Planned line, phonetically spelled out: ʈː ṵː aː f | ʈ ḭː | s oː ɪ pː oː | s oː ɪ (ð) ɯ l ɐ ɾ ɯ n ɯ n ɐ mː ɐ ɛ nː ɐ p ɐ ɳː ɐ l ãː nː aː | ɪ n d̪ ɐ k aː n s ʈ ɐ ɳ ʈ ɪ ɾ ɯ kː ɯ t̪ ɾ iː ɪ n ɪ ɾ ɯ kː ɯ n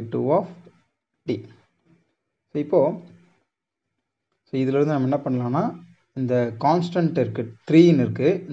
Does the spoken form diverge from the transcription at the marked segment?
no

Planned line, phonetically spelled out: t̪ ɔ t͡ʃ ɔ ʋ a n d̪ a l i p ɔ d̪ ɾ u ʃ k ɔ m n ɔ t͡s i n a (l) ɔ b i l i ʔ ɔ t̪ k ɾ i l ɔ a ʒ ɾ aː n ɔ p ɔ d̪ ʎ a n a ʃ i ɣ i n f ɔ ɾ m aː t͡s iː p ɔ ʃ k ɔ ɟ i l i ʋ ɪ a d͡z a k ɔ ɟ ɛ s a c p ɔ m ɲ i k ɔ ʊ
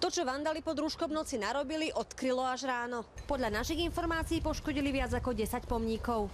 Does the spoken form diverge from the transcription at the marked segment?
yes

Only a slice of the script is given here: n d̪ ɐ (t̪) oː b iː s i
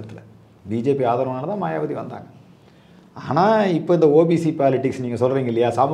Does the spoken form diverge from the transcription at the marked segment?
yes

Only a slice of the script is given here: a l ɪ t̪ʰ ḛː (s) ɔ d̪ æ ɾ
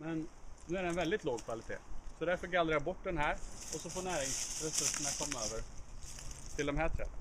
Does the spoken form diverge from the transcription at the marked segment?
no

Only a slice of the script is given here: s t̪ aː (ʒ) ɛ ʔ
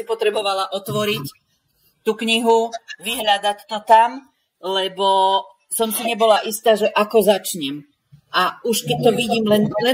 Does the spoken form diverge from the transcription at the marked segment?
no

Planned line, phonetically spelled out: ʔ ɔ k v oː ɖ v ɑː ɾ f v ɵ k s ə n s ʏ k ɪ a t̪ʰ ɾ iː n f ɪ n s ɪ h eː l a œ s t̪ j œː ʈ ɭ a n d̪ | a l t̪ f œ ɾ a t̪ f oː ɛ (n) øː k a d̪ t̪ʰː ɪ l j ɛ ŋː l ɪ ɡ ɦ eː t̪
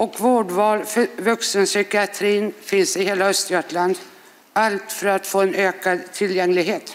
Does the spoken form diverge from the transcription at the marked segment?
no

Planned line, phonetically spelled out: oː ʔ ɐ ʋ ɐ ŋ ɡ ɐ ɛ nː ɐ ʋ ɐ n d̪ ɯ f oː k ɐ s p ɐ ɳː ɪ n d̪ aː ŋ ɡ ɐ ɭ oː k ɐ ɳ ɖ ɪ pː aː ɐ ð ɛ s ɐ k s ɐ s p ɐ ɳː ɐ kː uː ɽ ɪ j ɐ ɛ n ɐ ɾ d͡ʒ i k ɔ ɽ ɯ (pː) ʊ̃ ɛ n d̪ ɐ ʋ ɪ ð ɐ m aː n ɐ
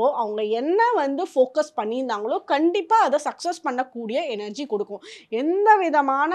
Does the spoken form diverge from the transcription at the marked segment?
yes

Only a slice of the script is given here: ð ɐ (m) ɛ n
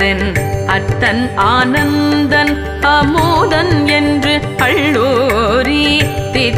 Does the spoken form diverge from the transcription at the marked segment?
yes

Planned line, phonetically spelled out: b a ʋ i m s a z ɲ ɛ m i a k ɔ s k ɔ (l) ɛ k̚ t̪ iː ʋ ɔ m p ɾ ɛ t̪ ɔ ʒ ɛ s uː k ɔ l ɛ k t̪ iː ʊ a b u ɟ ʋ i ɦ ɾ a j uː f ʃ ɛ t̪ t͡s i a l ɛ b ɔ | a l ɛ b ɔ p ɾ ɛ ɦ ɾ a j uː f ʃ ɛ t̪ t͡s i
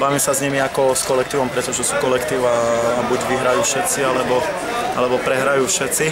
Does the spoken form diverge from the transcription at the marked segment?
no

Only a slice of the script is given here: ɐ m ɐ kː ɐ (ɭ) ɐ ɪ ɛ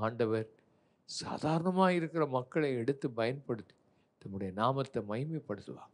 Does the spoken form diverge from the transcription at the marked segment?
no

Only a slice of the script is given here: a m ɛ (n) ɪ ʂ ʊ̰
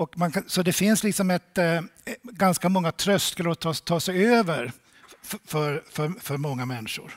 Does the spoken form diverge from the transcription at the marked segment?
yes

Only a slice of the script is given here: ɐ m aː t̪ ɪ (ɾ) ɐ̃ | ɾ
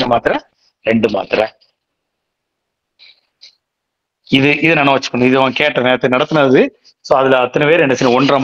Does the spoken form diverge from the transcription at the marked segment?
no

